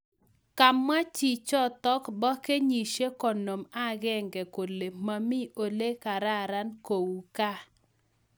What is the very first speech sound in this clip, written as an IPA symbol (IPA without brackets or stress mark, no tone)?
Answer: k